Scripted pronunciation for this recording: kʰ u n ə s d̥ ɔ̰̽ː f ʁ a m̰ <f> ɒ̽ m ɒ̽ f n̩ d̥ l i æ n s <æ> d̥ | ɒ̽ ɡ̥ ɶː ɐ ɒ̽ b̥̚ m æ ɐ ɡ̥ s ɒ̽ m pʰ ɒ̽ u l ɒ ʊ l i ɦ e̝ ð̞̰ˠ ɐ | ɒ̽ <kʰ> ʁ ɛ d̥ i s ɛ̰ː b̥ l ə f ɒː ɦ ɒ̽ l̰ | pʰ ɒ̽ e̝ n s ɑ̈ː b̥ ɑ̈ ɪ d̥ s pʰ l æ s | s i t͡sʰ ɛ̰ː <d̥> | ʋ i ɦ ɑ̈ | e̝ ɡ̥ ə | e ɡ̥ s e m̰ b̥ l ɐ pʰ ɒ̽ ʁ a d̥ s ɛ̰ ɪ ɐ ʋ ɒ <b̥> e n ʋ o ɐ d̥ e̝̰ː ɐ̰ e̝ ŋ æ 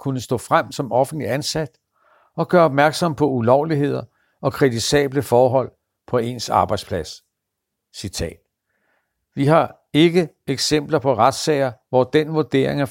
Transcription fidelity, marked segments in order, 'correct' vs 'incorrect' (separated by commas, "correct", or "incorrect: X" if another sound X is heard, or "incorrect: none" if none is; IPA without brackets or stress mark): incorrect: s, correct, correct, correct, incorrect: d̥